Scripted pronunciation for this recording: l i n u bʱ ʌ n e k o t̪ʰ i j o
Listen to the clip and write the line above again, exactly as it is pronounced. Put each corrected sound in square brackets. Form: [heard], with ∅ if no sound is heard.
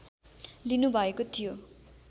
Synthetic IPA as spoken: l i n u bʱ ʌ [∅] e k o t̪ʰ i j o